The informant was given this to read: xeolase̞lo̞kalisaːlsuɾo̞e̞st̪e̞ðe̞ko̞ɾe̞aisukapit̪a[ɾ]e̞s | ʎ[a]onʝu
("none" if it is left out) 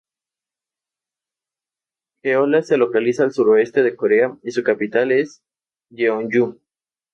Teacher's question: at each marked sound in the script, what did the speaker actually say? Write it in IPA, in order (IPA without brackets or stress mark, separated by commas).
l, e